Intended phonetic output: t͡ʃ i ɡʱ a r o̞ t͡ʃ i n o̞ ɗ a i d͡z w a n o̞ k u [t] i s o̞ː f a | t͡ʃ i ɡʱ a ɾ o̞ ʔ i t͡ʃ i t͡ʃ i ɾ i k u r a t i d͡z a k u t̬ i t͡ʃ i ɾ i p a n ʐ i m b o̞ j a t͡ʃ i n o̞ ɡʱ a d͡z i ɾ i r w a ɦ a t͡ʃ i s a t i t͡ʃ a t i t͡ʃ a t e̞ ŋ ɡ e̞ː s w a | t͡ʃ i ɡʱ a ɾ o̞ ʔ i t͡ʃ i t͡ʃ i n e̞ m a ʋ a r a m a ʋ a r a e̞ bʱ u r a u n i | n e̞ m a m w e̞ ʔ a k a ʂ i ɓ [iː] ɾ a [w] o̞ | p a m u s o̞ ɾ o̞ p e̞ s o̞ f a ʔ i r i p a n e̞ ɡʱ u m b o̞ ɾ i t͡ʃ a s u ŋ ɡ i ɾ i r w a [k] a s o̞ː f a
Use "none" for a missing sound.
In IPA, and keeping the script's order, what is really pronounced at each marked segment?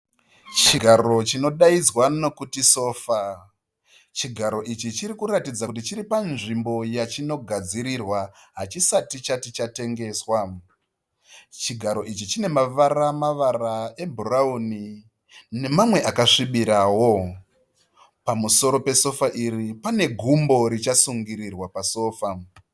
t, i, w, p

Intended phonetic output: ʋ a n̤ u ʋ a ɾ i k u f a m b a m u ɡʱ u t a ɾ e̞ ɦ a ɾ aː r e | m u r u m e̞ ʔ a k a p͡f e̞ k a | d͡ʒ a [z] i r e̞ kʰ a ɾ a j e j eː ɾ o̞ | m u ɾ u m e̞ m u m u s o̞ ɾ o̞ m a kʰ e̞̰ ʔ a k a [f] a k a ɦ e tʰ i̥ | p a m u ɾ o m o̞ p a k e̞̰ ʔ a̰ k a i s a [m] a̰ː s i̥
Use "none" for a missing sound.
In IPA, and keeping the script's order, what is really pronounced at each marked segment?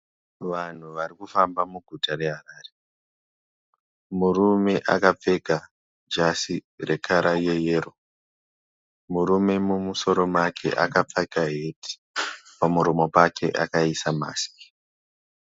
s, p͡f, m

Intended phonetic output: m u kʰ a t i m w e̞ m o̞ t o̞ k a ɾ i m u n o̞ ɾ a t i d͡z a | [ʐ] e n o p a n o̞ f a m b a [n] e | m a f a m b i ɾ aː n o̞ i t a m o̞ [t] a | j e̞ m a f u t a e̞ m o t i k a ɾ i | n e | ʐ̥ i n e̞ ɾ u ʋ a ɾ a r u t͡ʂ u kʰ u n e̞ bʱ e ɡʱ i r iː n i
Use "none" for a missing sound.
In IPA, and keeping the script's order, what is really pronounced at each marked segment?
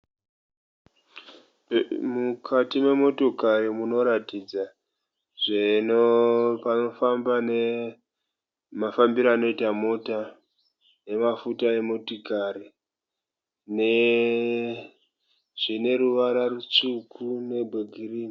ʐ, n, t

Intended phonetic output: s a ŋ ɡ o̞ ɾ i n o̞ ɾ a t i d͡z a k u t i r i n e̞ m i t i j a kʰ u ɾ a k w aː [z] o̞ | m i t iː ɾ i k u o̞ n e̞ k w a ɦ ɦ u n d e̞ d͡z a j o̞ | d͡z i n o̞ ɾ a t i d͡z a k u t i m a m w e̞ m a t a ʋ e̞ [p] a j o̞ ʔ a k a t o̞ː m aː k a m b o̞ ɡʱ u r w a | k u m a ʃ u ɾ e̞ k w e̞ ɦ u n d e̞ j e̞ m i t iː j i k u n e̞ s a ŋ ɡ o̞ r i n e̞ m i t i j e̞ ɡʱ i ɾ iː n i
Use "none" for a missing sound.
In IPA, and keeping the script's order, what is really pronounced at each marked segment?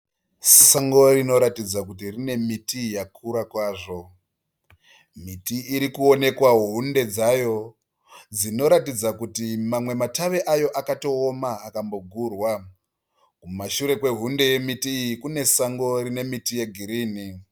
ʐ, ʔ

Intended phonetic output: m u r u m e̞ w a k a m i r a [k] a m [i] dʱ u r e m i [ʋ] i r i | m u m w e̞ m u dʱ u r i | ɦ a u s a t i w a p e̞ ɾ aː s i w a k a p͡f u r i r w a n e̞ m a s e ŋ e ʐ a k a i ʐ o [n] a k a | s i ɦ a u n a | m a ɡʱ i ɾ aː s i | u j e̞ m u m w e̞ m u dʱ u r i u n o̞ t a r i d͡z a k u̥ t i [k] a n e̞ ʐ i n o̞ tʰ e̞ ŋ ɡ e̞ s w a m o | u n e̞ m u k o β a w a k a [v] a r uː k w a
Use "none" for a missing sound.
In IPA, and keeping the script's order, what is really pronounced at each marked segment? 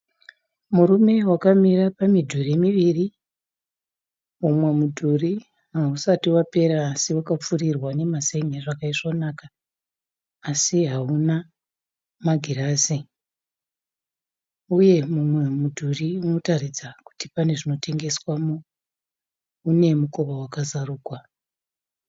p, i, ʋ, n, p, z

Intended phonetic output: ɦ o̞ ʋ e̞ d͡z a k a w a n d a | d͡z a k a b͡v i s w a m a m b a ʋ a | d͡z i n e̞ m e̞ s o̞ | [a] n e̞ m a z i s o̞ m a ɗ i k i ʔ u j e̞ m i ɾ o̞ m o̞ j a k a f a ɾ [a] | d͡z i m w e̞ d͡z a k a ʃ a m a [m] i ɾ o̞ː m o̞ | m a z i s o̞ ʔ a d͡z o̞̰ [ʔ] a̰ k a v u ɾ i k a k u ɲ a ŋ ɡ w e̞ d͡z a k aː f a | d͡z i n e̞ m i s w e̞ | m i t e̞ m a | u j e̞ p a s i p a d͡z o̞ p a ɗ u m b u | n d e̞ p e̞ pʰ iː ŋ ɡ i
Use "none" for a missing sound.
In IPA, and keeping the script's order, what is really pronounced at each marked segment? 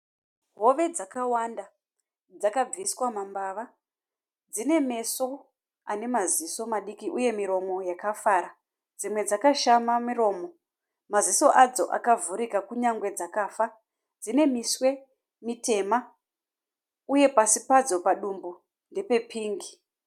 a, a, m, ʔ

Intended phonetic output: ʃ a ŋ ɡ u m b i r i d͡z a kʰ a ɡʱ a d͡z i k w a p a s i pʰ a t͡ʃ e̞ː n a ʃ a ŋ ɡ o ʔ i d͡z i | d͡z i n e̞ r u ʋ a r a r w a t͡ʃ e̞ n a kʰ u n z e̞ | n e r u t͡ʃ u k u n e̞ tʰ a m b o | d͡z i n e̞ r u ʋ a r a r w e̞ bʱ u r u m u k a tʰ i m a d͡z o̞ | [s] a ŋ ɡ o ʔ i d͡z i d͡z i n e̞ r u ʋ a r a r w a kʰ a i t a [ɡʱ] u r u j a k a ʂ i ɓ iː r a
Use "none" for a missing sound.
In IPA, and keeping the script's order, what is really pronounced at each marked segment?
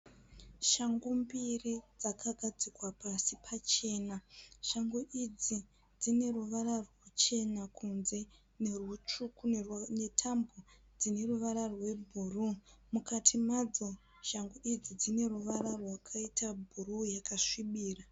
ʃ, bʱ

